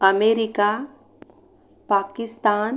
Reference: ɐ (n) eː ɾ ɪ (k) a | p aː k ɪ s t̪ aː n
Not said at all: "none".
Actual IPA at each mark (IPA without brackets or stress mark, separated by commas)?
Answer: m, k